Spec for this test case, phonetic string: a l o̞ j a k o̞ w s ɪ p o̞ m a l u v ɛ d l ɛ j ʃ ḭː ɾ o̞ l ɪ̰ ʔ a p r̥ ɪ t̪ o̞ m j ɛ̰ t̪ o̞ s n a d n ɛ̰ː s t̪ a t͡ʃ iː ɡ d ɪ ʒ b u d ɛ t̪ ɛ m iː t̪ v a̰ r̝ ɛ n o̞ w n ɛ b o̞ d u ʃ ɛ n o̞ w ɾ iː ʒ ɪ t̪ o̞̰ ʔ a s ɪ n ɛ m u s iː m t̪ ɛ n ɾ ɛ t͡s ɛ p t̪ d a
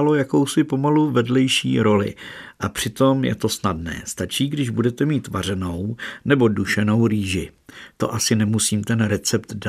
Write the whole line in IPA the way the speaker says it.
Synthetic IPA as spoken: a l o̞ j a k o̞ w s ɪ p o̞ m a l u v ɛ d l ɛ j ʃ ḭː ɾ o̞ l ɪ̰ ʔ a p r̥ ɪ t̪ o̞ m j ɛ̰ t̪ o̞ s n a d n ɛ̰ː s t̪ a t͡ʃ iː ɡ d ɪ ʒ b u d ɛ t̪ ɛ m iː t̪ v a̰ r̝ ɛ n o̞ w n ɛ b o̞ d u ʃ ɛ n o̞ w ɾ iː ʒ ɪ t̪ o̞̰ ʔ a s ɪ n ɛ m u s iː m t̪ ɛ n ɾ ɛ t͡s ɛ p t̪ d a